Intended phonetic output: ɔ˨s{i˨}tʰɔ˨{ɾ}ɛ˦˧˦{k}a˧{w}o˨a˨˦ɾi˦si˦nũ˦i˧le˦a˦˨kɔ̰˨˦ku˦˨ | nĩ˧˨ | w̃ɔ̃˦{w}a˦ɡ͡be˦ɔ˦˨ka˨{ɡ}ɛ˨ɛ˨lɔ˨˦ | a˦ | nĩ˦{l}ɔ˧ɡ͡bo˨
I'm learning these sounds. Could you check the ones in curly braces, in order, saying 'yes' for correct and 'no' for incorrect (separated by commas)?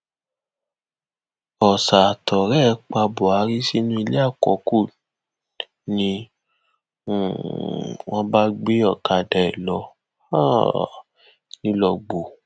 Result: no, yes, no, no, no, no, yes